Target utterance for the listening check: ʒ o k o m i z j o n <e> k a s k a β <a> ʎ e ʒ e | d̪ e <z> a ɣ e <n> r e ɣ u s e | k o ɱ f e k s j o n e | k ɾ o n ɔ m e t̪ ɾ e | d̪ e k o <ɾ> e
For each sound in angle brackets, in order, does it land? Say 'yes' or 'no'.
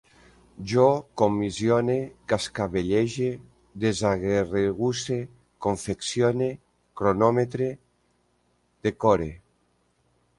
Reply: yes, no, yes, no, yes

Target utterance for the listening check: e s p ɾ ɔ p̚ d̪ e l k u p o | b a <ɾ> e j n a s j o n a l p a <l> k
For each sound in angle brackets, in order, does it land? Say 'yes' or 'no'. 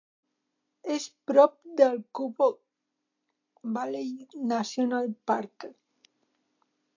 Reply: no, no

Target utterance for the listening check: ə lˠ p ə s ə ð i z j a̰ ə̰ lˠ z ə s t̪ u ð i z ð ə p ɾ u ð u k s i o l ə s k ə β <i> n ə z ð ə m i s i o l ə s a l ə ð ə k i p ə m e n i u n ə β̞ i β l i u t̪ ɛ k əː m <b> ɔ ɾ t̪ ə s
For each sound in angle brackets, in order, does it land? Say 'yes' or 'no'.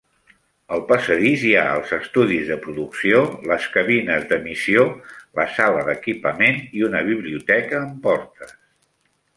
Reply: yes, no

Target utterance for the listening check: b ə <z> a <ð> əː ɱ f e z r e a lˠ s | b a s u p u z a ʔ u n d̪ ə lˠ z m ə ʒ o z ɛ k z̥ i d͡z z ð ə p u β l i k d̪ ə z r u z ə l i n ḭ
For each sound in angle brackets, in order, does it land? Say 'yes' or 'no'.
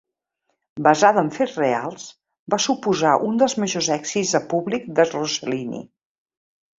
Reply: yes, yes

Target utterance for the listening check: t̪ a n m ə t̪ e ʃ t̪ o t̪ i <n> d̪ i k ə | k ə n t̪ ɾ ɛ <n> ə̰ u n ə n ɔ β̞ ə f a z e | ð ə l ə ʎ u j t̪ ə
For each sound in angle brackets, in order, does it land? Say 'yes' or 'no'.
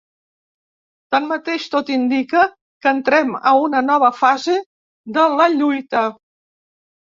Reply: yes, no

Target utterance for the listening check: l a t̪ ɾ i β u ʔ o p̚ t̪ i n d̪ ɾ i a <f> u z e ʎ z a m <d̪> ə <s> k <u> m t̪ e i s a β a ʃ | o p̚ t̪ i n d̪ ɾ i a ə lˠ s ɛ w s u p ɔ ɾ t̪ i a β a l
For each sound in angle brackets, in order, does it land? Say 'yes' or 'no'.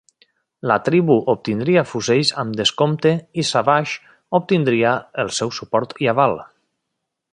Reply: yes, yes, yes, no

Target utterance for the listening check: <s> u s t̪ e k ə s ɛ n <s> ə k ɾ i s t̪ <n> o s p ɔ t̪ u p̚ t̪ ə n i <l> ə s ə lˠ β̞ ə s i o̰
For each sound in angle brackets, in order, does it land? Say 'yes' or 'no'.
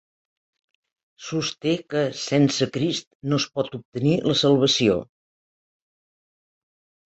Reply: yes, yes, yes, yes

